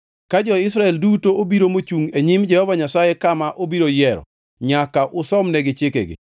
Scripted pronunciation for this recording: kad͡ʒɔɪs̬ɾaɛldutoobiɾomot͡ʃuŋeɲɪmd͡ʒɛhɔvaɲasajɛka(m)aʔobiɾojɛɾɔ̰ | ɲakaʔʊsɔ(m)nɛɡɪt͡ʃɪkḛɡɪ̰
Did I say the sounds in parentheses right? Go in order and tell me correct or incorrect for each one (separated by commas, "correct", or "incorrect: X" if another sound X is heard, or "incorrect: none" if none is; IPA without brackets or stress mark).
correct, correct